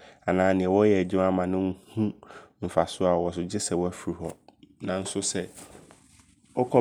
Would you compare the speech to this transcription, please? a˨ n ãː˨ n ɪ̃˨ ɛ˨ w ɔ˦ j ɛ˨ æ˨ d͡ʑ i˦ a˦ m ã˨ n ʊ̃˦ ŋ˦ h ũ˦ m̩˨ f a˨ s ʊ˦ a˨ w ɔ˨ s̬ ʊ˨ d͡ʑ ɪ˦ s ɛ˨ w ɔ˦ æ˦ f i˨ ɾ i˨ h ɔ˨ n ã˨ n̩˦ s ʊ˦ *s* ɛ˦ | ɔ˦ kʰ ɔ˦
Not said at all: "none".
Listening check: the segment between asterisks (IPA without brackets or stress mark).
s